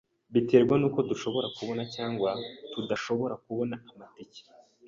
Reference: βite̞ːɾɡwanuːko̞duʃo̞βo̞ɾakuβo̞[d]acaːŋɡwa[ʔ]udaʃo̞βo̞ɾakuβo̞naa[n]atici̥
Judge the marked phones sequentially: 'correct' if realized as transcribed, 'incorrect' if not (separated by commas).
incorrect, incorrect, incorrect